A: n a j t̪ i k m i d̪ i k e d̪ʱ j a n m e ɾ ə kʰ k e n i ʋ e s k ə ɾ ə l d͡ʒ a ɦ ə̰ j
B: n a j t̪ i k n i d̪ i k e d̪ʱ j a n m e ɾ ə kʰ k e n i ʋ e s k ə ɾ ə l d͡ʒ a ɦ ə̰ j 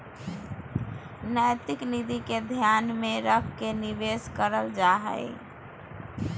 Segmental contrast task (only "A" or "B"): B